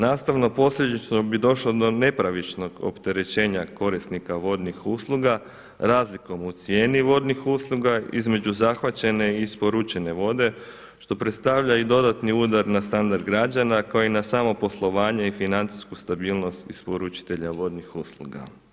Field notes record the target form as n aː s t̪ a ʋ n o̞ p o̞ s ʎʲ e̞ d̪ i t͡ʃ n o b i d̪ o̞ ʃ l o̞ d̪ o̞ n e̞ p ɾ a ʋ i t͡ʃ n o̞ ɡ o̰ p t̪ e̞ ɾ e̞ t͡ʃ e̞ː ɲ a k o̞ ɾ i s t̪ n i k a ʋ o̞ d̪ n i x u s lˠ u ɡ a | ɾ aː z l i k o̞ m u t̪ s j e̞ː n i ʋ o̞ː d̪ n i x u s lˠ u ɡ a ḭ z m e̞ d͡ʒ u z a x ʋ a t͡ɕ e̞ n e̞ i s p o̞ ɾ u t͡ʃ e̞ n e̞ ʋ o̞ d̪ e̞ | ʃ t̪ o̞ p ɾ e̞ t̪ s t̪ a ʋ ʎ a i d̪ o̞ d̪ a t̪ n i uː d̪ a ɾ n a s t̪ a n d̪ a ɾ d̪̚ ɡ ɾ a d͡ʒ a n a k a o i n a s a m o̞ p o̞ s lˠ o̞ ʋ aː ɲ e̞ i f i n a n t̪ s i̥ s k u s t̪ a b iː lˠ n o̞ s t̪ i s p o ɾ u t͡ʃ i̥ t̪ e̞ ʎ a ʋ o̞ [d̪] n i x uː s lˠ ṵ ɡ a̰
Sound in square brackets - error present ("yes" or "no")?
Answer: no